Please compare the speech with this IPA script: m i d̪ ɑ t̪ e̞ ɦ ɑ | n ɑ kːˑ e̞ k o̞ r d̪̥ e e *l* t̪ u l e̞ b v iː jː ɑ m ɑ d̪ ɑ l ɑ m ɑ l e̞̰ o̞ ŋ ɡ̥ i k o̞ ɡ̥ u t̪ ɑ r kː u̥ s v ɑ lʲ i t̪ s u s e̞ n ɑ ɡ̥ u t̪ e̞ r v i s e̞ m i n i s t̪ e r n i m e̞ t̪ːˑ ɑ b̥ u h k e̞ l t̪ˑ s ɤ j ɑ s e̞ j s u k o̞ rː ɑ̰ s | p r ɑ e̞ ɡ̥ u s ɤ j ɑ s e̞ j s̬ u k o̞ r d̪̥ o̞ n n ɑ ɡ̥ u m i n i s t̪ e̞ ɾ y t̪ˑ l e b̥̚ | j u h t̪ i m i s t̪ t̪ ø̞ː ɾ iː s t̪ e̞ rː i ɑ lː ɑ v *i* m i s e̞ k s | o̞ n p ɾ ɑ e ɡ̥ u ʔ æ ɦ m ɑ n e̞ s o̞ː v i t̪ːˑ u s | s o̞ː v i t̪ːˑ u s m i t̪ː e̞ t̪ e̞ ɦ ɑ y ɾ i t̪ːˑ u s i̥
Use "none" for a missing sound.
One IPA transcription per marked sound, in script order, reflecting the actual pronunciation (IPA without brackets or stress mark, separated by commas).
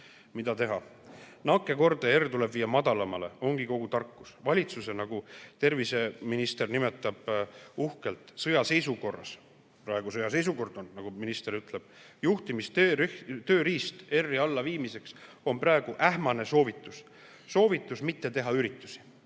r, iː